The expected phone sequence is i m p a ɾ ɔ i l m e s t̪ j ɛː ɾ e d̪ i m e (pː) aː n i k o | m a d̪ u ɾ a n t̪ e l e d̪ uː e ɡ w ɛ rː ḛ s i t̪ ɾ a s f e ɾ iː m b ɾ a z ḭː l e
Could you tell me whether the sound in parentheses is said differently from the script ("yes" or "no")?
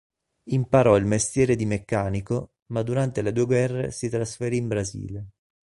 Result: yes